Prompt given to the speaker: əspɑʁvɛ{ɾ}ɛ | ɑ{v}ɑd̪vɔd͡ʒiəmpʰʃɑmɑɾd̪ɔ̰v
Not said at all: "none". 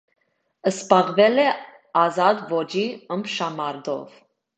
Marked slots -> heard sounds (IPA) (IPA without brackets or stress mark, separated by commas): l, z